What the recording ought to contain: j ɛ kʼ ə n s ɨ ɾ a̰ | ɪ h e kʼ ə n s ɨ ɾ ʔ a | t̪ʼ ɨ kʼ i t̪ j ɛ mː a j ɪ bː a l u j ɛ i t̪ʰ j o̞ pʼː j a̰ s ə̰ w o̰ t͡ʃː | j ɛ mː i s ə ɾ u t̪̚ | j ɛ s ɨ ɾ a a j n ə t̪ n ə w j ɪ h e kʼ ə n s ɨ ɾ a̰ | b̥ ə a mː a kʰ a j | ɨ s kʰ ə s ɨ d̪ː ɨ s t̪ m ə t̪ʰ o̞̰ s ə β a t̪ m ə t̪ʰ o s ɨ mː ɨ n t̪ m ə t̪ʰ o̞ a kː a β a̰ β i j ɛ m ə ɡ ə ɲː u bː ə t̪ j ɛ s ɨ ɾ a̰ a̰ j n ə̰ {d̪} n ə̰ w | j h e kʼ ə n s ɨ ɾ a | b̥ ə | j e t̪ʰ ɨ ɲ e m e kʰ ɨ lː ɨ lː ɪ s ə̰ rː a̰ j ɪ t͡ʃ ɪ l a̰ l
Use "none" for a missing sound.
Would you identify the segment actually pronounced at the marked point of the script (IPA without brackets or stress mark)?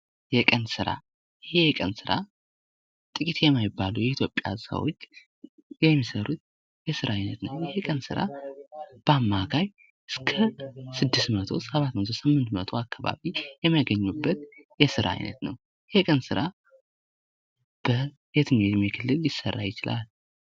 t̪